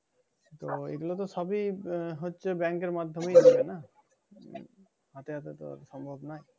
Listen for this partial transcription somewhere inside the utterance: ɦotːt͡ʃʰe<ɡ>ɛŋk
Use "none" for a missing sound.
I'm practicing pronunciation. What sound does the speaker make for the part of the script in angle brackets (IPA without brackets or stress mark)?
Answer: b